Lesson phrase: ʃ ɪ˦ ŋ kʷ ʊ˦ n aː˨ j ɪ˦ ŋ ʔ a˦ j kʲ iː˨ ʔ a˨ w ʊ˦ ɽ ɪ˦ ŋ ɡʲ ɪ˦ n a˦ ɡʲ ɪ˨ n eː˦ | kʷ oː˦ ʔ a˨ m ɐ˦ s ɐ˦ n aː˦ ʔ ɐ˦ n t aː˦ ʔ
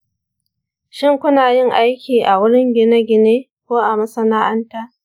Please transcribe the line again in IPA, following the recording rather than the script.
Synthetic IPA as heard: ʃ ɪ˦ ŋ kʷ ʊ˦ n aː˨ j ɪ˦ ŋ ʔ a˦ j kʲ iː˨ ʔ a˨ w ʊ˦ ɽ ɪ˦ ŋ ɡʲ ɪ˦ n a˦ ɡʲ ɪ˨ n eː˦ | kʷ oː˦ ʔ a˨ m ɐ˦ s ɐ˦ n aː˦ ʔ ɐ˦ n t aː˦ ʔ